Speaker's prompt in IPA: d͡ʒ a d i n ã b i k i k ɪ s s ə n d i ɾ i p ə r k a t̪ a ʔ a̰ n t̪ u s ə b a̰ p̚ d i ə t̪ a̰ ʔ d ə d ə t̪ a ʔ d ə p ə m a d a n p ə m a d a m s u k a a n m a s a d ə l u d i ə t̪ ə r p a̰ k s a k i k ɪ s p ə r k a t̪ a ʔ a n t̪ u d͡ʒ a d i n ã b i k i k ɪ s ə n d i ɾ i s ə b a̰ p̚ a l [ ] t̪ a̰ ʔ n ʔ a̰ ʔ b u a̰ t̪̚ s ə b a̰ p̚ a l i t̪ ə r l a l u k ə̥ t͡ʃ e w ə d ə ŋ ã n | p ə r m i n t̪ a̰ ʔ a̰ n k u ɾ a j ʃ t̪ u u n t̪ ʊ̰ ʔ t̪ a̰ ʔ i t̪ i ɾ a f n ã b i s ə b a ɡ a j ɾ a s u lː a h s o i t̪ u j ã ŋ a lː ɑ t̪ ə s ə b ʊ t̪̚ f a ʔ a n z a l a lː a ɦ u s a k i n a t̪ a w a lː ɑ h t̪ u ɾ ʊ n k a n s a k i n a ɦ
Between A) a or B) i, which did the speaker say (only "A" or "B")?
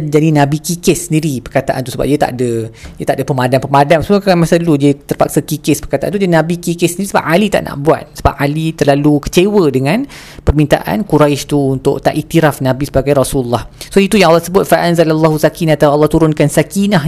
B